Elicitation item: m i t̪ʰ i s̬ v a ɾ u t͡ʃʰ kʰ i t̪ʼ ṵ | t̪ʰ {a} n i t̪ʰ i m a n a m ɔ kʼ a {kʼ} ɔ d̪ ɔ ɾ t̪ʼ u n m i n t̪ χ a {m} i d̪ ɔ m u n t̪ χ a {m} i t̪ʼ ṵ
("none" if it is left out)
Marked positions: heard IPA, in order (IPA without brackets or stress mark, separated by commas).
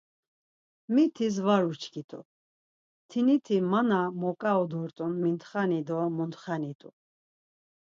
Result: i, none, n, n